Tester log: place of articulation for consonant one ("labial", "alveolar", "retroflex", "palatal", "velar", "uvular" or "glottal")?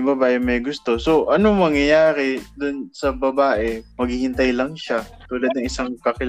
labial